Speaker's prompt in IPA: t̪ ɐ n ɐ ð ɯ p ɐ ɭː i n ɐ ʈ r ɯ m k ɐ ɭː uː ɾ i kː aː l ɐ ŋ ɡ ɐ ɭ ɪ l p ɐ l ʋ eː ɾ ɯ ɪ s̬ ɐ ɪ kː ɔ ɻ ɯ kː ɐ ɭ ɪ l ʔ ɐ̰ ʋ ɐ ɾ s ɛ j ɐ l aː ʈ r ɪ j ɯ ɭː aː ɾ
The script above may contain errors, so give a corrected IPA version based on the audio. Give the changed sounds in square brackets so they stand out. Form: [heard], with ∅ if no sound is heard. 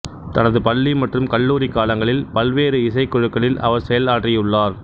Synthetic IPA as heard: t̪ ɐ n ɐ ð ɯ p ɐ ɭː i [m] ɐ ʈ r ɯ m k ɐ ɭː uː ɾ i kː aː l ɐ ŋ ɡ ɐ ɭ ɪ l p ɐ l ʋ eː ɾ ɯ ɪ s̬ ɐ ɪ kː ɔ ɻ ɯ kː ɐ ɭ ɪ l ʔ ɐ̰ ʋ ɐ ɾ s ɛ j ɐ l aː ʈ r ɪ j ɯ ɭː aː ɾ